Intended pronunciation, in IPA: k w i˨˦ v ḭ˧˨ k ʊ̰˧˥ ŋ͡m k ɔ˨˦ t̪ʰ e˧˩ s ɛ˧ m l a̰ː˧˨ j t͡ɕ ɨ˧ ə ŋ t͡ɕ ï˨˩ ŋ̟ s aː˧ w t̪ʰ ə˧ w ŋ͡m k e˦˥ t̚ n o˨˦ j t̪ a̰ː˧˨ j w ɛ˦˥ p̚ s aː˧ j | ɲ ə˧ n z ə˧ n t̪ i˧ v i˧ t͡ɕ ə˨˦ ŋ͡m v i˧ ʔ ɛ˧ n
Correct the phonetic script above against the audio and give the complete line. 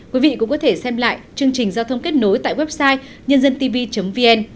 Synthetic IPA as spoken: k w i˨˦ v ḭ˧˨ k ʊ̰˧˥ ŋ͡m k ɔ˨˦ t̪ʰ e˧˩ s ɛ˧ m l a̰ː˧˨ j t͡ɕ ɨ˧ ə ŋ t͡ɕ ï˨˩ ŋ̟ z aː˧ w t̪ʰ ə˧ w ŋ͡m k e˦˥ t̚ n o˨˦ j t̪ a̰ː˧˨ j w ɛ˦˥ p̚ s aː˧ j | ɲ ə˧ n z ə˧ n t̪ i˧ v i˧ t͡ɕ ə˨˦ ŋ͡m v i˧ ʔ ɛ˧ n

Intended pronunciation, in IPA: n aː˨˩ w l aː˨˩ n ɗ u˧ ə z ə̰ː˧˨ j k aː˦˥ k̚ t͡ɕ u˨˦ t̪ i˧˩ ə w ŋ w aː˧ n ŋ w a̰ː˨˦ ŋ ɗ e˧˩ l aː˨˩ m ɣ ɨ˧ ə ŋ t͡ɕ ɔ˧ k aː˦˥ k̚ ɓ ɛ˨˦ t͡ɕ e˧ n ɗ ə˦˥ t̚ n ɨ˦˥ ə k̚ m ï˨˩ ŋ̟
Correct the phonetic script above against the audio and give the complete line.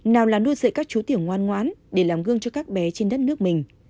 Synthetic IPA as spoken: n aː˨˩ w l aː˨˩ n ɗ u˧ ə z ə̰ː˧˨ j k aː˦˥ k̚ t͡ɕ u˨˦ t̪ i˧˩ ə w ŋ w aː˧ n ŋ w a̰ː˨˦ n ɗ e˧˩ l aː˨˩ m ɣ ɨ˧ ə ŋ t͡ɕ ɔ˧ k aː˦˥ k̚ ɓ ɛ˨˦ t͡ɕ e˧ n ɗ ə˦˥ t̚ n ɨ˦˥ ə k̚ m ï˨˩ ŋ̟

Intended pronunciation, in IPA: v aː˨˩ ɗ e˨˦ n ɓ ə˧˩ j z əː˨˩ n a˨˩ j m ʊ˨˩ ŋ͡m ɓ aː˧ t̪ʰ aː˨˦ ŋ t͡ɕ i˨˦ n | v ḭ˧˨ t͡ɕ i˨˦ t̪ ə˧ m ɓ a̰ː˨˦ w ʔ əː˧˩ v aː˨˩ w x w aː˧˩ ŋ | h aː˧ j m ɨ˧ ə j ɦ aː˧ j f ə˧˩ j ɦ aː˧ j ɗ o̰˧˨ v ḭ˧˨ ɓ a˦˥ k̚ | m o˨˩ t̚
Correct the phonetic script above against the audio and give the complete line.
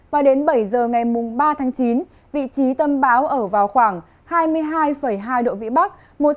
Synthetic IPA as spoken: v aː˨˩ ɗ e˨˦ n ɓ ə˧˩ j z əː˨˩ ŋ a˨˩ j m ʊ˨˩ ŋ͡m ɓ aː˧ t̪ʰ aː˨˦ ŋ t͡ɕ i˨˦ n | v ḭ˧˨ t͡ɕ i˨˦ t̪ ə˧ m ɓ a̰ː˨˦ w ʔ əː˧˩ v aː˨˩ w x w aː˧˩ ŋ | h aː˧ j m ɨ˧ ə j ɦ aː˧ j f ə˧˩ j ɦ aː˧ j ɗ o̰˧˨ v ḭ˧˨ ɓ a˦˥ k̚ | m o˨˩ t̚

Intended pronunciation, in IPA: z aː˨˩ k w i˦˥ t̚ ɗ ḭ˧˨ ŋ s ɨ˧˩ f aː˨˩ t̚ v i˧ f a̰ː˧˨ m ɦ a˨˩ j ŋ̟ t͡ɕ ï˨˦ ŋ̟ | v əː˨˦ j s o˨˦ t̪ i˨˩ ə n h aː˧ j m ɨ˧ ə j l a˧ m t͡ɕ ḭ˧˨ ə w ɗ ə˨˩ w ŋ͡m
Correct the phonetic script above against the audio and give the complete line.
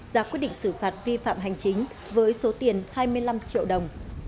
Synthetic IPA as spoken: z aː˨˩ k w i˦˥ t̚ ɗ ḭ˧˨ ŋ s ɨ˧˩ f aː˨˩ t̚ v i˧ f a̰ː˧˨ m ɦ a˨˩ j ŋ̟ t͡ɕ ï˨˦ ŋ̟ | v əː˨˦ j s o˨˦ t̪ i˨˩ ə n h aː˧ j m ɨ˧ ə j l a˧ m t͡ɕ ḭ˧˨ ə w ɗ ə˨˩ w ŋ͡m

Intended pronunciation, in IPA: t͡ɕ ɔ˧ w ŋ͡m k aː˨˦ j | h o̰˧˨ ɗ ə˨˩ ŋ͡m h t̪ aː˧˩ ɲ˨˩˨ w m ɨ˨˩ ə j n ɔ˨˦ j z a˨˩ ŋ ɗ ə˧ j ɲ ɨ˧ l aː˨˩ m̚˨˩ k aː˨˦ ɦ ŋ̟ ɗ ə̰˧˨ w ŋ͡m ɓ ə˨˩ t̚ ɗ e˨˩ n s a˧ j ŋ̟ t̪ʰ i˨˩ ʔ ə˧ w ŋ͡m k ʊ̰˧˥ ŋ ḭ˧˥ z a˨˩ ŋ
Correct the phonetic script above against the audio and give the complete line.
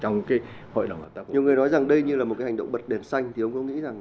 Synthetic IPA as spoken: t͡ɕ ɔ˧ w ŋ͡m k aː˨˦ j | h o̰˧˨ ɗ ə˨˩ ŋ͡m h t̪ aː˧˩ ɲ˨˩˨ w ŋ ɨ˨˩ ə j n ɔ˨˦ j z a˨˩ ŋ ɗ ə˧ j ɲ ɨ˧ l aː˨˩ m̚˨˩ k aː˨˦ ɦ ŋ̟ ɗ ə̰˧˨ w ŋ͡m ɓ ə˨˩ t̚ ɗ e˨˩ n s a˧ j ŋ̟ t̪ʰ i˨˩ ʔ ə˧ w ŋ͡m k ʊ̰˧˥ ŋ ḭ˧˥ z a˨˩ ŋ

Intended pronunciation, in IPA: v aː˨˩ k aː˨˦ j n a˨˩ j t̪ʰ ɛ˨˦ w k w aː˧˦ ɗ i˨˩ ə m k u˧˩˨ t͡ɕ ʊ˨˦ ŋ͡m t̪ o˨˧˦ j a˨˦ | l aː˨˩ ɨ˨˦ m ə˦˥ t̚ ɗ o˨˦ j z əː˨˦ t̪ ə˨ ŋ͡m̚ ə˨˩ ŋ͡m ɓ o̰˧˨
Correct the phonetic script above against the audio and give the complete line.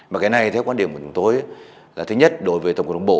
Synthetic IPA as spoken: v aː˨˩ k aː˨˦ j n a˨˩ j t̪ʰ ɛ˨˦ w k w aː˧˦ ɗ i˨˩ ə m k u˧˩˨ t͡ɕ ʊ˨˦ ŋ͡m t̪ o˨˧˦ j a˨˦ | l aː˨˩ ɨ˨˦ ɲ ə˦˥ t̚ ɗ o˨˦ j v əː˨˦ t̪ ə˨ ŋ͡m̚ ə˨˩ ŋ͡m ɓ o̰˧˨

